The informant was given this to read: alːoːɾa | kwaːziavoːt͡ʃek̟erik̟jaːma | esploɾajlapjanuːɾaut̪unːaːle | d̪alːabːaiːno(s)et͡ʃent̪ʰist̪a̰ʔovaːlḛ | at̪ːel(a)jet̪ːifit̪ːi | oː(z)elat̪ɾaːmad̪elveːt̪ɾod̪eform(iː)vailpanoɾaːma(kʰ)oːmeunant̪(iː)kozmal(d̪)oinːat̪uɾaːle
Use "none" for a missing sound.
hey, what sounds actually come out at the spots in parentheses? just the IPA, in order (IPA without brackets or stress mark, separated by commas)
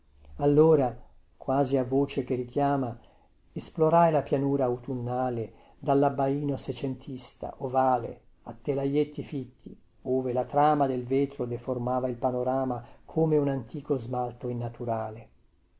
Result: s, a, v, aː, kʰ, iː, t̪